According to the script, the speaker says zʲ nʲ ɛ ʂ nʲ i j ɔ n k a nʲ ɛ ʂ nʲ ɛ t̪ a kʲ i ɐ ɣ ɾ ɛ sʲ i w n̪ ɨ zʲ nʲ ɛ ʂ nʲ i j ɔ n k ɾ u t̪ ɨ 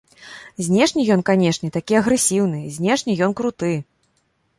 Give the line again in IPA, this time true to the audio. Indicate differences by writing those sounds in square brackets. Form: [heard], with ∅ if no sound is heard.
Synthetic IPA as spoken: zʲ nʲ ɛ ʂ nʲ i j ɔ n k a nʲ ɛ ʂ nʲ ɛ t̪ a kʲ i ɐ ɣ ɾ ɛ sʲ i w n̪ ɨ zʲ nʲ ɛ ʂ nʲ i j ɔ n k ɾ u t̪ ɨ